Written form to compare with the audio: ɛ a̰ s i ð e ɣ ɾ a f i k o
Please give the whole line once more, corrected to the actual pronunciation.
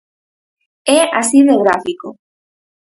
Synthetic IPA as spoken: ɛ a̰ s i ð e ɣ ɾ a f i k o